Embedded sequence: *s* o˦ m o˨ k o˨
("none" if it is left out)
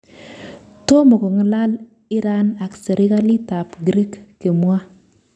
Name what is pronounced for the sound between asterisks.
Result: t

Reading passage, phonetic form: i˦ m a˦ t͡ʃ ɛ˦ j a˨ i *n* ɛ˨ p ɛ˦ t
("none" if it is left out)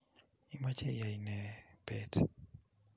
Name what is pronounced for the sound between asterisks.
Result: n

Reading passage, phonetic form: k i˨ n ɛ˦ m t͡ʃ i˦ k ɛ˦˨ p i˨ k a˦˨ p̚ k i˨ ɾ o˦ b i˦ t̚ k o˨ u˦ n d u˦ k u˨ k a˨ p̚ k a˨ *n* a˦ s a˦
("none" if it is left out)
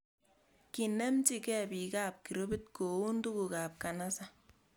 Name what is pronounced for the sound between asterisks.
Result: n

